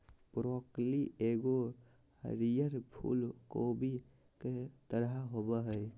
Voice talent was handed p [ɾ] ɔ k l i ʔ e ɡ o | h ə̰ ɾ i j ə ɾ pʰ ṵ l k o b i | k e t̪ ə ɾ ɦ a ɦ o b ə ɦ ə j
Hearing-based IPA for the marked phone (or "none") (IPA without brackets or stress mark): ɾ